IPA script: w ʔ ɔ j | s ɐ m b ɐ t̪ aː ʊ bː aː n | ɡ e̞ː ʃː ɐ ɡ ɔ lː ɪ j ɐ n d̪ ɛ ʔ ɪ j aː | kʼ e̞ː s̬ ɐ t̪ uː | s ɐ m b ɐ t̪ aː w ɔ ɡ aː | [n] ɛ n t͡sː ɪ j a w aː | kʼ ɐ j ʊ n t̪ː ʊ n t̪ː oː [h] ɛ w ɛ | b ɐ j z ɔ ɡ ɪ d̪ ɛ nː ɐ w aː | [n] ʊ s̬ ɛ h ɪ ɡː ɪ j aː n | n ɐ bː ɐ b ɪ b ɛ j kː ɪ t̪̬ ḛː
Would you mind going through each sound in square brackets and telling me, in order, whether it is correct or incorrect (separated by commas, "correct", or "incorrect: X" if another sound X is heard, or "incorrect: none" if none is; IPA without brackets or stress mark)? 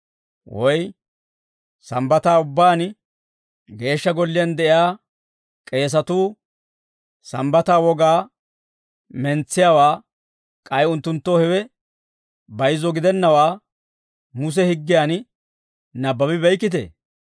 incorrect: m, correct, incorrect: m